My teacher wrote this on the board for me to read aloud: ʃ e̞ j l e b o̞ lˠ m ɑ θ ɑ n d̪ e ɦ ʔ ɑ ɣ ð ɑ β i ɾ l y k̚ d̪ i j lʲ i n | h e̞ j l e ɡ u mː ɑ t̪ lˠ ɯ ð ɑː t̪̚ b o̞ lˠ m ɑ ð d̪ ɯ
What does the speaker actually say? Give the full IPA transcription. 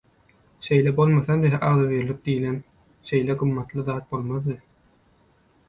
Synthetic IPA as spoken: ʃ e̞ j l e b o̞ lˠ m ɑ θ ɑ n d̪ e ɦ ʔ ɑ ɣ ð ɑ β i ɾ l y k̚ d̪ i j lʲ e n | ʃ e̞ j l e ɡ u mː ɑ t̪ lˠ ɯ ð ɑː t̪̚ b o̞ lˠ m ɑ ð d̪ ɯ

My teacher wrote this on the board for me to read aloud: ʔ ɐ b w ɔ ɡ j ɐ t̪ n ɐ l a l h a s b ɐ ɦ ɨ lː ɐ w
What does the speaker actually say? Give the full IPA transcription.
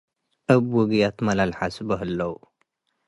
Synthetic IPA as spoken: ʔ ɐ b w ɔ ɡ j a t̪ m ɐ l a l ħ a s b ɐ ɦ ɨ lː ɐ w

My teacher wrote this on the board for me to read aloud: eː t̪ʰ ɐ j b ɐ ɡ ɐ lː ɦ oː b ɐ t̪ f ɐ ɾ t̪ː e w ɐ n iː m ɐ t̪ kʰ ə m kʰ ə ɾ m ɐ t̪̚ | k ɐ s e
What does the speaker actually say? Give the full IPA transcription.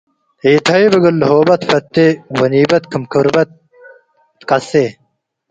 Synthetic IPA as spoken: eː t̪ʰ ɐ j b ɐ ɡ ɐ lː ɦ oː b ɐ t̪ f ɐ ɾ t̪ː e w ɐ n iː b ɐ t̪ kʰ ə m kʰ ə ɾ b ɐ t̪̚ | k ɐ s e

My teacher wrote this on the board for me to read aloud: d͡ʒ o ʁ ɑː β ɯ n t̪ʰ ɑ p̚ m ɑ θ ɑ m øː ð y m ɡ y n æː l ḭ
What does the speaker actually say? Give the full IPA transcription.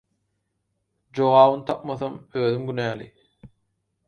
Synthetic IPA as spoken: d͡ʒ o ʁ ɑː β ɯ n t̪ʰ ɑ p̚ m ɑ θ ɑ m øː ð y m ɡ y n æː l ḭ

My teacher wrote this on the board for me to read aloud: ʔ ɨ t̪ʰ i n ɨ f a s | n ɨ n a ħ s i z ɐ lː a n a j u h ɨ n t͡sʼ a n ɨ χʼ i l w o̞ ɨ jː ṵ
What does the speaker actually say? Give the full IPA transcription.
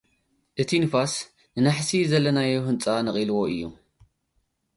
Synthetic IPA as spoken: ʔ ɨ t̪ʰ i n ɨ f a s | n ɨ n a ħ s i z ɐ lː ɐ n a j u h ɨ n t͡sʼ a n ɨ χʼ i l w o̞ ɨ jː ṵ

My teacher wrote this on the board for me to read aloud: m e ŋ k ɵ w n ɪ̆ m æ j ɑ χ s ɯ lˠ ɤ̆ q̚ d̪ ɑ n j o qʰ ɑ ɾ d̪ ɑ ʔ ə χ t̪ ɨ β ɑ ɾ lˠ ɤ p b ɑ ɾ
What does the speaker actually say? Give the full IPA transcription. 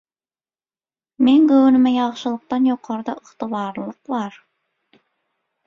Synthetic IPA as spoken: m e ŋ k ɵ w n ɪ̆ m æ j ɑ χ ʃ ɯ lˠ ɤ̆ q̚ t̪ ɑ n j o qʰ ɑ ɾ d̪ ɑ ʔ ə χ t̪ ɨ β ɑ ɾ lˠ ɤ q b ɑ ɾ

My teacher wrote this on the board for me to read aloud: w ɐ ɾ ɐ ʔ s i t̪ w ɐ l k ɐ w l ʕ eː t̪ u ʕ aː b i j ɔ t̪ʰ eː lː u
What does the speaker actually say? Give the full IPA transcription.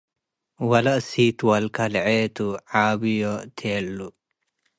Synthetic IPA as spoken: w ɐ l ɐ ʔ s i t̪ w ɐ l k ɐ l ʕ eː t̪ u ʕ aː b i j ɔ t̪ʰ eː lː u

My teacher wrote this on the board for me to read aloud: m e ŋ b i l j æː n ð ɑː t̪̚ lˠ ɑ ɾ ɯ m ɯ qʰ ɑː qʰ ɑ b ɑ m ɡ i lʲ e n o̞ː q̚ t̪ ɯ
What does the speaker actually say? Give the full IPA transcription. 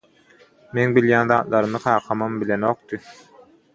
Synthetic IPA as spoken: m e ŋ b i l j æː n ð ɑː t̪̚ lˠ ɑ ɾ ɯ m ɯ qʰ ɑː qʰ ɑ m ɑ m b i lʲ e n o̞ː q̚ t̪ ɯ

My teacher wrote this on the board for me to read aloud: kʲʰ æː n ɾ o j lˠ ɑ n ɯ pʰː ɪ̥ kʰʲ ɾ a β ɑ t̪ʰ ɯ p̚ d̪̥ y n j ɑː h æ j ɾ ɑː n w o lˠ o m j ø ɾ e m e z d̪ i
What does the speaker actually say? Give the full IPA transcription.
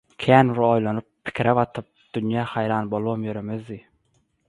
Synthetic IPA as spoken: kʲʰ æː n ɾ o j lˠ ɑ n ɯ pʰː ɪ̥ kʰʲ ɾ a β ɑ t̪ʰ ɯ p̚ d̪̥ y n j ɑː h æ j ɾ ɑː n b o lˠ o m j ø ɾ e m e z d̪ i

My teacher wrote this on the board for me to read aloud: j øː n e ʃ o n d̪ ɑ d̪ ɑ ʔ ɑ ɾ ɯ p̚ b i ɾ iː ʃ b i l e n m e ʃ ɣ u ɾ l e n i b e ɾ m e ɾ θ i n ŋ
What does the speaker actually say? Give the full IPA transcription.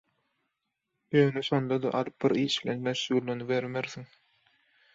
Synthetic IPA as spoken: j øː n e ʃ o n d̪ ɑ d̪ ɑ ʔ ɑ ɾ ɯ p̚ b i ɾ iː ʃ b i l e n m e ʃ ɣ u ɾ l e n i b e ɾ m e ɾ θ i ŋ

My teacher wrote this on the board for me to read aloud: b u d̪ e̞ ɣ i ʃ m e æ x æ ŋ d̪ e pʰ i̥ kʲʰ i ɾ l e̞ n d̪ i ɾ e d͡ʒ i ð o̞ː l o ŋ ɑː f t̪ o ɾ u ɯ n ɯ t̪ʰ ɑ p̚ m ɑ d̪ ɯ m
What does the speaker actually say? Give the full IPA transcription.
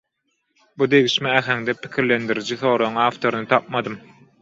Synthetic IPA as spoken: b u d̪ e̞ ɣ i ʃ m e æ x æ ŋ d̪ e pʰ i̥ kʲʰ i ɾ l e̞ n d̪ i ɾ i d͡ʒ i θ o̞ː ɾ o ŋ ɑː f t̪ o ɾ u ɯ n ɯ t̪ʰ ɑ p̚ m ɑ d̪ ɯ m

